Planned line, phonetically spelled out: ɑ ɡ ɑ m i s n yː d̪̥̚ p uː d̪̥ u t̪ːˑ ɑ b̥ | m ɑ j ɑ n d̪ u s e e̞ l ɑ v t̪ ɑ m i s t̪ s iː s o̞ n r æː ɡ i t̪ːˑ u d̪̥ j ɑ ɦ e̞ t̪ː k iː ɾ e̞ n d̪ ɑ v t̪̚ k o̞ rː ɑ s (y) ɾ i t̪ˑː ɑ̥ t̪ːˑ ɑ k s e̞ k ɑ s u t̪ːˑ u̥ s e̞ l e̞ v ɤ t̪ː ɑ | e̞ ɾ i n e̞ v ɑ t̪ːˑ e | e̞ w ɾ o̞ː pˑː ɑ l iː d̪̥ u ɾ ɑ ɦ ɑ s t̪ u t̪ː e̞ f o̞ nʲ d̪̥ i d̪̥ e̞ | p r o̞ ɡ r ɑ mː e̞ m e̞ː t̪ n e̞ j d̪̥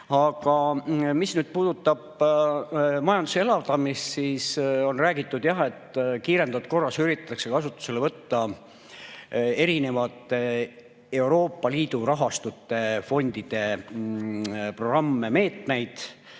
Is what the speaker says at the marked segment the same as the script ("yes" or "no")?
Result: yes